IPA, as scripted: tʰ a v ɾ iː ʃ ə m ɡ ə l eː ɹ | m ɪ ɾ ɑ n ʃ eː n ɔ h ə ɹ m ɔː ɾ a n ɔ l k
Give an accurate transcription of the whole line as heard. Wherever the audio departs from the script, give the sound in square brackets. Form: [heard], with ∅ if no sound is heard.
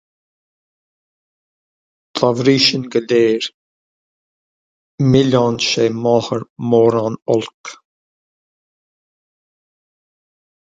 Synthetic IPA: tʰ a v ɾ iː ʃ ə [n] ɡ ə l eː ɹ | m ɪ [l] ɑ n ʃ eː [m] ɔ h ə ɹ m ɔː ɾ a n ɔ l k